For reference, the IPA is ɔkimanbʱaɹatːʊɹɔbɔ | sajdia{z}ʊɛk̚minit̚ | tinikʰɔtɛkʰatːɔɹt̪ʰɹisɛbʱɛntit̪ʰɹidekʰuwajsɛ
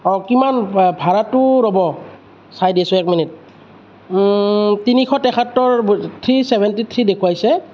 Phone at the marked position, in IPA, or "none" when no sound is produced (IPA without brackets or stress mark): s